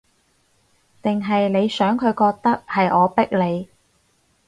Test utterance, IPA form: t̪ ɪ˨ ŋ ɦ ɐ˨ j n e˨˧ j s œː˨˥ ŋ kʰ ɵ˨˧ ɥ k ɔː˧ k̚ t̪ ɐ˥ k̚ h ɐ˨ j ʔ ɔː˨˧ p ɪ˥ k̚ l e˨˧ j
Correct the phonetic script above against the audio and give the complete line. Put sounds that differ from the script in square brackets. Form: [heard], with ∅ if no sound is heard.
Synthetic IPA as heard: t̪ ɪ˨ ŋ ɦ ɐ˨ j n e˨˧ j s œː˨˥ ŋ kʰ ɵ˨˧ ɥ k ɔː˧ k̚ t̪ ɐ˥ k̚ h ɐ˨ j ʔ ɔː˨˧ p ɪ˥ k̚ l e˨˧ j